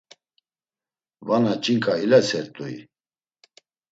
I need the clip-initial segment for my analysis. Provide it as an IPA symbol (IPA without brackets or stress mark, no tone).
v